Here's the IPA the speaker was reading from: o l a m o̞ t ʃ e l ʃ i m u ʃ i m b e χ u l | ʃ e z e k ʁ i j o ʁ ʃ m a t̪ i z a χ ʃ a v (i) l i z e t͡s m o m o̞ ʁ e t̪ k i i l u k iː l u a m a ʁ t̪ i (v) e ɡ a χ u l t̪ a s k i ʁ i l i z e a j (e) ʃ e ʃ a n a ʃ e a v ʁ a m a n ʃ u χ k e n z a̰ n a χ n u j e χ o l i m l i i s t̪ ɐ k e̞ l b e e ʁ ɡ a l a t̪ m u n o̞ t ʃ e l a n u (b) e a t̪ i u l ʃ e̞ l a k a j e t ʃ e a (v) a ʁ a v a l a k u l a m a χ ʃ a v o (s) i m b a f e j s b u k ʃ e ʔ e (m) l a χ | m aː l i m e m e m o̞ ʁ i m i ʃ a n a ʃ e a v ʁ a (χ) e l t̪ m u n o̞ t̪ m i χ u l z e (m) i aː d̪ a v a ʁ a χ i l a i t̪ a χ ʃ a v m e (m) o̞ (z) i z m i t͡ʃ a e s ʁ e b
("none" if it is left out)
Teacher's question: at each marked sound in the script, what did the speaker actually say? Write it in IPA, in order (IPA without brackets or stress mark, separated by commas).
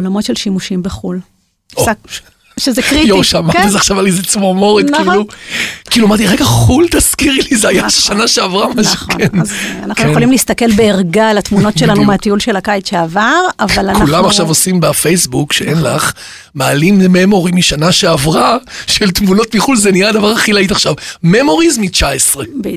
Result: a, ʁ, a, m, v, s, n, ʃ, n, m, ʁ